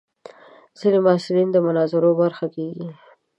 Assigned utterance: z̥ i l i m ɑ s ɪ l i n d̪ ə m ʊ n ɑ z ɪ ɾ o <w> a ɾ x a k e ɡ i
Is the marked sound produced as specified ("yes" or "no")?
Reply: no